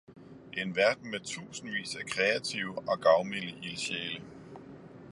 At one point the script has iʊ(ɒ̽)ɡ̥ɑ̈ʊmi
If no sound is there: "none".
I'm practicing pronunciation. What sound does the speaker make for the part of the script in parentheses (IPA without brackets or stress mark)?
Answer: ɒ̽